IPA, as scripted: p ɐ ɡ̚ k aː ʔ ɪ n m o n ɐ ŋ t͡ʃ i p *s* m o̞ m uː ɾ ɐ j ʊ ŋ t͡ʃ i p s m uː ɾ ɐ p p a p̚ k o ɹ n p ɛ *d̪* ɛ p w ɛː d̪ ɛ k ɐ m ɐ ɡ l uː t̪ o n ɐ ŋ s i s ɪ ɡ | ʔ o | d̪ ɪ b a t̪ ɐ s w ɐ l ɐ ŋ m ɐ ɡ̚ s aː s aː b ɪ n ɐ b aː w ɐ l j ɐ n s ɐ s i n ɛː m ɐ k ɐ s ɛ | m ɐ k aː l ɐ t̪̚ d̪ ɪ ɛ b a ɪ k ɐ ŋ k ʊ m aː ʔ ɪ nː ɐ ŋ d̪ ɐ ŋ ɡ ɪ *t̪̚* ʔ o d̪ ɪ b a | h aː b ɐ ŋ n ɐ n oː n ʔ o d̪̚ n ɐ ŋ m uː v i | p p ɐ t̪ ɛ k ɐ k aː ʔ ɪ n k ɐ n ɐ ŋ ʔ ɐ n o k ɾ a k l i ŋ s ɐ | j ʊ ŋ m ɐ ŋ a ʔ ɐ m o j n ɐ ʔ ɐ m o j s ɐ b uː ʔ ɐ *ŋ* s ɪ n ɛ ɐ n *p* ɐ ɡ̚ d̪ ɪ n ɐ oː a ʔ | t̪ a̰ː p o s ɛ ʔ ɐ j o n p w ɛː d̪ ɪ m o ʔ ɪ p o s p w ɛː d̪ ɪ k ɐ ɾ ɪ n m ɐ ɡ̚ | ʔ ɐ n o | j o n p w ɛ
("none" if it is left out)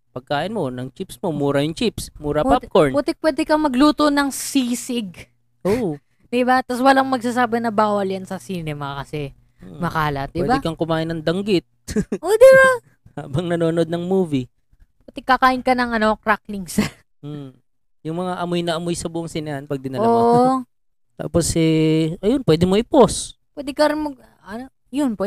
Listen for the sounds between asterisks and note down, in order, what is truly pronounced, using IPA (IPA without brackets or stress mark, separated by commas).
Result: s, t̪, t̪̚, ŋ, p